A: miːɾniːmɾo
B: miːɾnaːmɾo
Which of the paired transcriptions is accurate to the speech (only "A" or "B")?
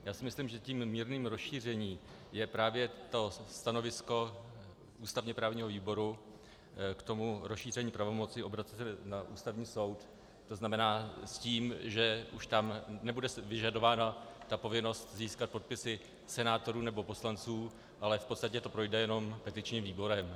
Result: A